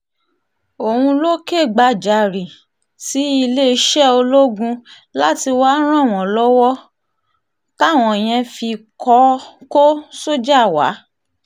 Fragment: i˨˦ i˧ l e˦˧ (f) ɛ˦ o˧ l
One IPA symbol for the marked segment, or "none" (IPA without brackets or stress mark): ʃ